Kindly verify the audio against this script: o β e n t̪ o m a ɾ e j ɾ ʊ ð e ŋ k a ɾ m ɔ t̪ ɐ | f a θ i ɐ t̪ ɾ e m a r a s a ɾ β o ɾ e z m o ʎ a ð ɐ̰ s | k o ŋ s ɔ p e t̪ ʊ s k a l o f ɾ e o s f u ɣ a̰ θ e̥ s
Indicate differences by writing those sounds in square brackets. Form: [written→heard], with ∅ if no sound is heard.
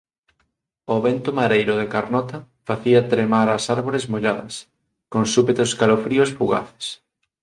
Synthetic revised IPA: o β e n t̪ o m a ɾ e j ɾ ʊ ð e [ŋ→∅] k a ɾ [m→n] ɔ t̪ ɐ | f a θ i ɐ t̪ ɾ e m a [r→ɾ] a s a ɾ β o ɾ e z m o ʎ a ð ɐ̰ s | k o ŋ s [ɔ→u] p e t̪ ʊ s k a l o f ɾ [e→i] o s f u ɣ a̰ θ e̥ s